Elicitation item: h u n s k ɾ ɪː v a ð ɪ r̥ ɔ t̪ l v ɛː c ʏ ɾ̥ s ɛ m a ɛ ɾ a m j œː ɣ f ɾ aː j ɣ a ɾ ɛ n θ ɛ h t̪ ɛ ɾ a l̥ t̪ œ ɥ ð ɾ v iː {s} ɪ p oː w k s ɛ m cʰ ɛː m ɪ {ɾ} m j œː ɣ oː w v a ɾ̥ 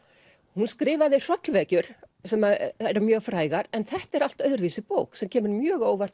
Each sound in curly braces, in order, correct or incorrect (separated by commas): correct, correct